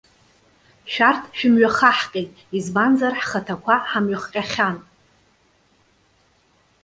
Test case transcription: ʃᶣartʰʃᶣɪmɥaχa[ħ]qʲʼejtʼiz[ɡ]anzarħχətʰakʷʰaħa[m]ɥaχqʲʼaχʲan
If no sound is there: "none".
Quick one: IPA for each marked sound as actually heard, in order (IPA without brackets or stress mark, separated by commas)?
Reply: ħ, b, m